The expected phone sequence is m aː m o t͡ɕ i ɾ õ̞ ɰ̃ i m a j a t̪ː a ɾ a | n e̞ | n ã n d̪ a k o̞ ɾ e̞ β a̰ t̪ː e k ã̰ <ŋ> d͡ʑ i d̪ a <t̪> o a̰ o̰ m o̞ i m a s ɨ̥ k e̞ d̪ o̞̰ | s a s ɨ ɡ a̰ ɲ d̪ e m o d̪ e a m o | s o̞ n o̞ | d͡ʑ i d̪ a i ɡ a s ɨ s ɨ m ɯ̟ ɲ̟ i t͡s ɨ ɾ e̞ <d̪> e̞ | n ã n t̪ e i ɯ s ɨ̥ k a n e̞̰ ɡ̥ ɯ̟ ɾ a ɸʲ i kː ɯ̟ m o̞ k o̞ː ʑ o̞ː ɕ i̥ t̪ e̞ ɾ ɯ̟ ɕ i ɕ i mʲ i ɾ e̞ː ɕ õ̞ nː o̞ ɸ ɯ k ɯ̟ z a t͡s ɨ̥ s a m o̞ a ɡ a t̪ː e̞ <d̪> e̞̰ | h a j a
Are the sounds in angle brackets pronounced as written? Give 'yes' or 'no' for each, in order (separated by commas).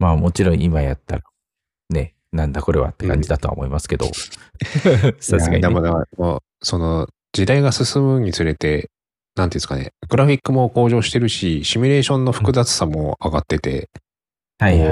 no, yes, no, no